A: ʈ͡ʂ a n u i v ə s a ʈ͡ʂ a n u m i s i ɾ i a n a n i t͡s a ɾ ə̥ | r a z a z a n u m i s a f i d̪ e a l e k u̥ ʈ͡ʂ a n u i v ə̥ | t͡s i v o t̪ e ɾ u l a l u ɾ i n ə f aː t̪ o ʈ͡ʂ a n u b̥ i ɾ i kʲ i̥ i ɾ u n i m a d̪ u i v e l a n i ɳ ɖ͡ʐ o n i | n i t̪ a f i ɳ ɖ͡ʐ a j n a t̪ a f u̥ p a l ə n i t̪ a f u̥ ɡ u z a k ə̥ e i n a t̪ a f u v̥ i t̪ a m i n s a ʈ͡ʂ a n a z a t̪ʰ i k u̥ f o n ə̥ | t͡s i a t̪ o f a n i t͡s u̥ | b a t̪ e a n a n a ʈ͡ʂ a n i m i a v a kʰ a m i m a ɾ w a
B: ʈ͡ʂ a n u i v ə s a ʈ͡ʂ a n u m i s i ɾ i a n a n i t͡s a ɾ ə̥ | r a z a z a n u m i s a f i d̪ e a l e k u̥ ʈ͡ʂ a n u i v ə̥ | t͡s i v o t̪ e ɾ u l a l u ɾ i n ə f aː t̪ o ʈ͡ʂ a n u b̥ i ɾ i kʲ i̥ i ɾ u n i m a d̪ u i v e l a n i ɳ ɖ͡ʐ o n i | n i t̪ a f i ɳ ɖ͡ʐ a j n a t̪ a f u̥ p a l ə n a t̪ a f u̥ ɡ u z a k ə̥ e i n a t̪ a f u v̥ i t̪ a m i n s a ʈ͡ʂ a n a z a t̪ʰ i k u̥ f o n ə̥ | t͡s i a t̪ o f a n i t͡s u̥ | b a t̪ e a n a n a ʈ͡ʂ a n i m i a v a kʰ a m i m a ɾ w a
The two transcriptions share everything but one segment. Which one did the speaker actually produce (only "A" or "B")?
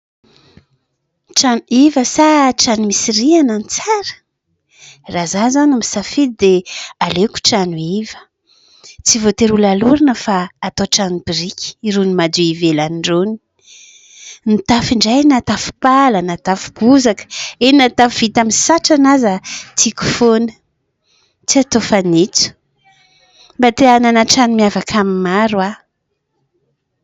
B